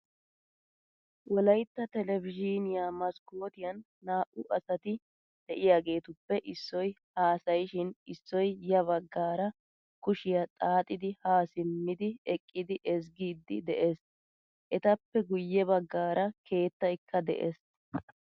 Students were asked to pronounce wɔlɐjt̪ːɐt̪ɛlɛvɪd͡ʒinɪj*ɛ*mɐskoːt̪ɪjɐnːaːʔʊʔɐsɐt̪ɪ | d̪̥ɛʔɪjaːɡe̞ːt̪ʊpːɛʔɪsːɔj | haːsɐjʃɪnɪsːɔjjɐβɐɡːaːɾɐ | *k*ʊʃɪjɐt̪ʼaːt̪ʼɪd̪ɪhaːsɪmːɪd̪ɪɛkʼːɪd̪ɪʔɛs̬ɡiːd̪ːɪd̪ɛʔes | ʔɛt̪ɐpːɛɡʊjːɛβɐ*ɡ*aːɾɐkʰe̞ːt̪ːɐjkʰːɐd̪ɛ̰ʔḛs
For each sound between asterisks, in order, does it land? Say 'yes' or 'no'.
no, yes, no

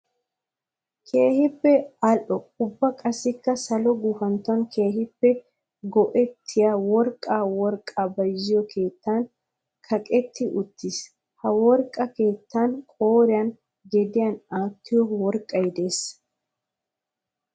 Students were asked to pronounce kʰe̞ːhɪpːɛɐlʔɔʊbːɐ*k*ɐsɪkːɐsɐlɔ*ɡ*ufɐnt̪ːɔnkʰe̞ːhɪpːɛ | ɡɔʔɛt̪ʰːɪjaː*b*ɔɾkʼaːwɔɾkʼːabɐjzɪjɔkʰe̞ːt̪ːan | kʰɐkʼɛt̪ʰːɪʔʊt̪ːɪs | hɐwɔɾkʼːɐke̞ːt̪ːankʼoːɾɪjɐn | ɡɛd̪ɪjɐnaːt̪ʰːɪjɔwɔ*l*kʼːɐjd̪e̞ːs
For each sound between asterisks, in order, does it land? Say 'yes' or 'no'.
no, yes, no, no

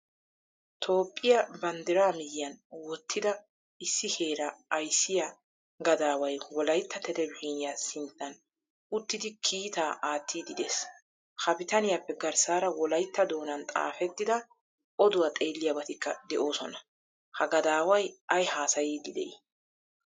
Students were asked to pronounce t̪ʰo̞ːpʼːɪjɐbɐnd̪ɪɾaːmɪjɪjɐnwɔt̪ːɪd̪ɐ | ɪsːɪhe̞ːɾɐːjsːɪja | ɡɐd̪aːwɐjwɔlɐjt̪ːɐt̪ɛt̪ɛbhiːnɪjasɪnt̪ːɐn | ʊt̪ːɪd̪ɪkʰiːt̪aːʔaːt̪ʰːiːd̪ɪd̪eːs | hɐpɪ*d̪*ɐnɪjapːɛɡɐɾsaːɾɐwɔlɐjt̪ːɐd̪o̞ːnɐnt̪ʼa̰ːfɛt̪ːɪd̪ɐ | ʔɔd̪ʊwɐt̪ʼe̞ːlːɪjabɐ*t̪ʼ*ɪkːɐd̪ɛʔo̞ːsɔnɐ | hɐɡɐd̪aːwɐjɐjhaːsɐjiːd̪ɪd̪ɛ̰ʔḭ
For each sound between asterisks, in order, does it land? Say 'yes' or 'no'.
no, no

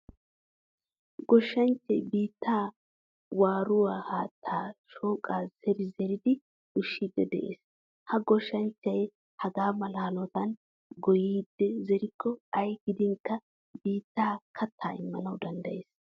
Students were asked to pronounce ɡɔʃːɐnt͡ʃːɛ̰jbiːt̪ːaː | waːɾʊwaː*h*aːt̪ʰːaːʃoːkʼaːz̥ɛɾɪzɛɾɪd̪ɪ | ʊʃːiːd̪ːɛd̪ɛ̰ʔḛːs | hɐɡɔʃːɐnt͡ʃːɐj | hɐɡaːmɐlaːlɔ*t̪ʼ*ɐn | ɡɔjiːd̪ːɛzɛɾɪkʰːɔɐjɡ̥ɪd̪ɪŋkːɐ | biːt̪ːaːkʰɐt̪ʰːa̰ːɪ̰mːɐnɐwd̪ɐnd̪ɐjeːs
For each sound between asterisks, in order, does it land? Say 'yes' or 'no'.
yes, no

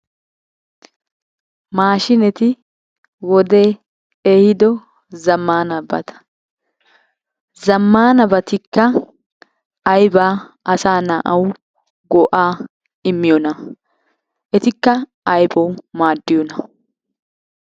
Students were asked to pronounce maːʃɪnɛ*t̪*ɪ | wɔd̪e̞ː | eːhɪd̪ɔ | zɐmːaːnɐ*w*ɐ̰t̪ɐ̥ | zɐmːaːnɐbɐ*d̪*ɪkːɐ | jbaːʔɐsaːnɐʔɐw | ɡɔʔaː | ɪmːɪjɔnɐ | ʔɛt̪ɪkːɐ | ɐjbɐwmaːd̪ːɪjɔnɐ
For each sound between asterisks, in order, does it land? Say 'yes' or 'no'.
yes, no, no

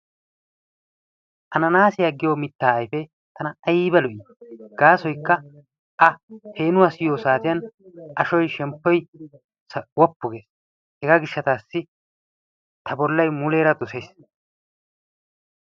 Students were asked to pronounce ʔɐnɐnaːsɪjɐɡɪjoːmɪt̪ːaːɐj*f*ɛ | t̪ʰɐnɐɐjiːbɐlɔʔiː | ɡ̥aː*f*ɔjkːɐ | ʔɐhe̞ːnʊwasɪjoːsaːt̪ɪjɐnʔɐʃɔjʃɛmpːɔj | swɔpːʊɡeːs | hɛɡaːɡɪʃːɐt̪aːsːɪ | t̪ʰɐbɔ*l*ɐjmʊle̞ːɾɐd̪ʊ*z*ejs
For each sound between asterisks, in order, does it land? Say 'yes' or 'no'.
yes, no, no, no

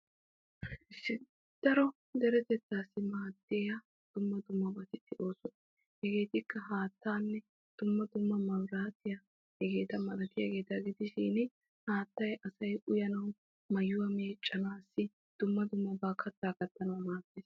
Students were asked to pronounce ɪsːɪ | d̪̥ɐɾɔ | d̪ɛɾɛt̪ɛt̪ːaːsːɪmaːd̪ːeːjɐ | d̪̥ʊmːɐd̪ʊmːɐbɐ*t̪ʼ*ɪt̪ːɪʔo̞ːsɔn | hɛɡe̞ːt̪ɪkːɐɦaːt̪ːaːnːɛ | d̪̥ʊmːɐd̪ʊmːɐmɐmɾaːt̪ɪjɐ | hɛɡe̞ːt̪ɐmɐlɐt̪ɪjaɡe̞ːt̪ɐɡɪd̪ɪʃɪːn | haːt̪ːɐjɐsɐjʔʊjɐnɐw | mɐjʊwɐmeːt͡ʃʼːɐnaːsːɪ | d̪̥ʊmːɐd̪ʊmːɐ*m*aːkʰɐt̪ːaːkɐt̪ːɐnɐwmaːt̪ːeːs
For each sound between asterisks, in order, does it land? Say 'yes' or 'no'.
no, no

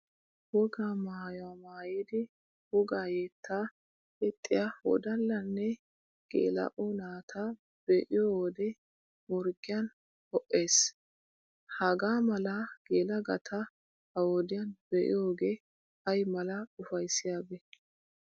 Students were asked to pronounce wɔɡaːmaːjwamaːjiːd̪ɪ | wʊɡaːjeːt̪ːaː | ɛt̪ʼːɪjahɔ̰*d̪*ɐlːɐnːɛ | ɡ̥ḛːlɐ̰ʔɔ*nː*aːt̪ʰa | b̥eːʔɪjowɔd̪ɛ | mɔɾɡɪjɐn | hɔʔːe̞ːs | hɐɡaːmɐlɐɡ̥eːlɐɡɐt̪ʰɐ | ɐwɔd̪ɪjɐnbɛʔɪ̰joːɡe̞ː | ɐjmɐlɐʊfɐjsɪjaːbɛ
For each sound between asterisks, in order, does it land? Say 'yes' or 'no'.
yes, no

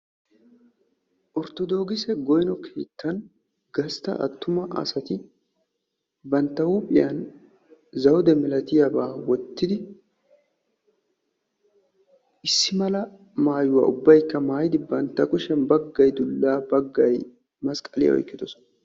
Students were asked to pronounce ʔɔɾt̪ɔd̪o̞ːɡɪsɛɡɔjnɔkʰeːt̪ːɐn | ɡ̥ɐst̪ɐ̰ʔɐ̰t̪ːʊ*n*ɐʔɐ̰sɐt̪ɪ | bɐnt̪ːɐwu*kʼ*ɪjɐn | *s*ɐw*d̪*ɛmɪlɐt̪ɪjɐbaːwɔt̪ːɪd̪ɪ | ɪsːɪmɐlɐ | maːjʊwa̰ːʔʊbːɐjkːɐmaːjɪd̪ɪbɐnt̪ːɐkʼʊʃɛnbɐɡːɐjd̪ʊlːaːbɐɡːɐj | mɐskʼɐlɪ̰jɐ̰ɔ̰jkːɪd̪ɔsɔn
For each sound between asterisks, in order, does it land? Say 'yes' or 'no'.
no, no, no, yes

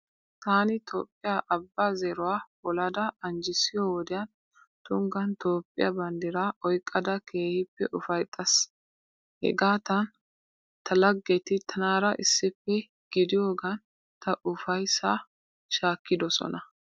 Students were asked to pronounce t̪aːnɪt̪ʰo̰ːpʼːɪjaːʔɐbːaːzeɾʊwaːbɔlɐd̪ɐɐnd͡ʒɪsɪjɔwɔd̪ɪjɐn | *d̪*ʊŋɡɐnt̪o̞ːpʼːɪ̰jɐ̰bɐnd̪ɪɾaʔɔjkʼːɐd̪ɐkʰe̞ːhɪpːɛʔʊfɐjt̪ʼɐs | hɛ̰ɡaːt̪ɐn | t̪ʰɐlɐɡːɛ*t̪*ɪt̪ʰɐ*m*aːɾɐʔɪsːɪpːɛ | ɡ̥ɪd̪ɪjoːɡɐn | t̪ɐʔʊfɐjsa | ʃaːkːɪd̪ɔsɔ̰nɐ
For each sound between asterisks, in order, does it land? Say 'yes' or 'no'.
no, yes, no

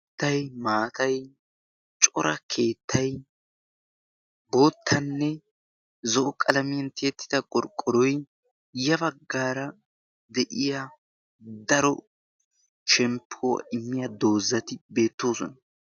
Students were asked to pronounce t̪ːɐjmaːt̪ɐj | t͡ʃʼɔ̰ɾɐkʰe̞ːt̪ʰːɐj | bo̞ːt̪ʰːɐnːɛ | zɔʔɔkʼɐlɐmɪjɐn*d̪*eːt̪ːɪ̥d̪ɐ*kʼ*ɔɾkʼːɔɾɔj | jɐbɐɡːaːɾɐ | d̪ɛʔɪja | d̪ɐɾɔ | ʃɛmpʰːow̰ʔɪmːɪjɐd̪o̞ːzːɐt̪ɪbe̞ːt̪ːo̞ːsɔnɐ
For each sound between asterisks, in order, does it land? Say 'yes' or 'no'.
no, yes

